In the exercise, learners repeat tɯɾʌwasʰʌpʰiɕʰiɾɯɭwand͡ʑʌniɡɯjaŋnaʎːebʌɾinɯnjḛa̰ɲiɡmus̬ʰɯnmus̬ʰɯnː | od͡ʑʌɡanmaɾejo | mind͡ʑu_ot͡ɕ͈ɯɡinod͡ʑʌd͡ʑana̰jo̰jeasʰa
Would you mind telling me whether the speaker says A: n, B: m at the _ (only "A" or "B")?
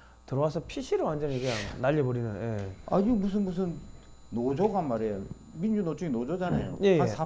A